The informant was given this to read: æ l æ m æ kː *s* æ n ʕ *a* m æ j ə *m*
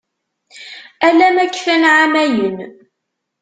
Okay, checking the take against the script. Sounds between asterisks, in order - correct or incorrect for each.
incorrect: f, correct, incorrect: n

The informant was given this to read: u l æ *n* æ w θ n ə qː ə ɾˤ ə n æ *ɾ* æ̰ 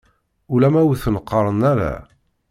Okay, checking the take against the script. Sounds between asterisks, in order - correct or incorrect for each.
incorrect: m, correct

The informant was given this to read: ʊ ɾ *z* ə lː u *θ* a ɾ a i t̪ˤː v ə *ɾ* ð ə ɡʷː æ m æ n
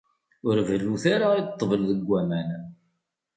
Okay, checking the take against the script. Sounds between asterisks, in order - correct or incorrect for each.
incorrect: v, correct, incorrect: l

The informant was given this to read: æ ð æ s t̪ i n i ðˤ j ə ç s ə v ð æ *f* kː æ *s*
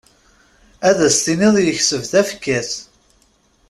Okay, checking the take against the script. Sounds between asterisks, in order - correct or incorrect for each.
correct, incorrect: θ

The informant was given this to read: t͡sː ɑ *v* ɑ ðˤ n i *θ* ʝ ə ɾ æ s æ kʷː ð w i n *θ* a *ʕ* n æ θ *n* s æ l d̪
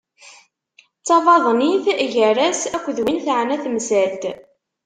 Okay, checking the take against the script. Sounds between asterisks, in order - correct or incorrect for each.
correct, correct, correct, correct, incorrect: m

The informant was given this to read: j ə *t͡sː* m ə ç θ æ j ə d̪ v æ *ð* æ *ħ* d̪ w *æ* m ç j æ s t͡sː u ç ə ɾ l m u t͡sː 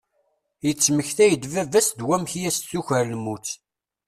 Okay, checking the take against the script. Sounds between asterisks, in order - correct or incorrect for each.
correct, incorrect: v, incorrect: s, correct

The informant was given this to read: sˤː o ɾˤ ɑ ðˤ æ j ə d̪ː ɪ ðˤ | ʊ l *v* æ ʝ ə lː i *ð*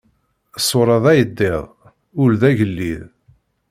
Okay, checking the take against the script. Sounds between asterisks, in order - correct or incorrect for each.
incorrect: ð, correct

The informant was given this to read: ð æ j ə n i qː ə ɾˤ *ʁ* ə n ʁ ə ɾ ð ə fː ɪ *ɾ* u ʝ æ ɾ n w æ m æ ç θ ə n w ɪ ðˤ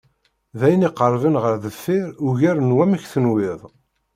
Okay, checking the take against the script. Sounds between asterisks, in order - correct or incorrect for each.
incorrect: v, correct

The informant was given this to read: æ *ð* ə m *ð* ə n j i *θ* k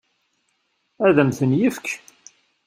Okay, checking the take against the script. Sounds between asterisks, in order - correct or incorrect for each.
correct, incorrect: θ, incorrect: f

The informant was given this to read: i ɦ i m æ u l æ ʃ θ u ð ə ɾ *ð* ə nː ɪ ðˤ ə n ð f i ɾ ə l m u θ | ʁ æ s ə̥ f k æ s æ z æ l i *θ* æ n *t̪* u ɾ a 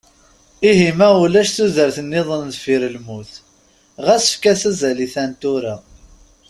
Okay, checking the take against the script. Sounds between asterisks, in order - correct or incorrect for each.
incorrect: θ, correct, correct

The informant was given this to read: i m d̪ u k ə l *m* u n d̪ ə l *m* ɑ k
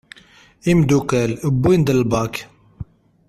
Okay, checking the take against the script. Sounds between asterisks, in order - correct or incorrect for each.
incorrect: b, incorrect: b

